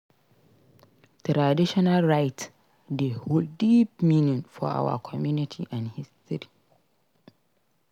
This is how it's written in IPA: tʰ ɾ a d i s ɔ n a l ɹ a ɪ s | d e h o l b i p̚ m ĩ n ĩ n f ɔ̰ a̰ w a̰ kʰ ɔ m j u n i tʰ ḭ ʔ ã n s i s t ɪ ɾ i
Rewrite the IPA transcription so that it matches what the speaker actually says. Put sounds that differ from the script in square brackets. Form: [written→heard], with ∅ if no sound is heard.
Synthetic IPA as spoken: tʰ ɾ a d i [s→ʃ] ɔ n a l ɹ a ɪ [s→t] | d e h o l [b→d] i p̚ m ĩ n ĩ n f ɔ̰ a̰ w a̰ kʰ ɔ m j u n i tʰ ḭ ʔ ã n [s→h] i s t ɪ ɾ i